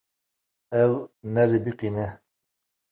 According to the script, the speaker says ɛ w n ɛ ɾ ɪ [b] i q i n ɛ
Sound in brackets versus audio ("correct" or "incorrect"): correct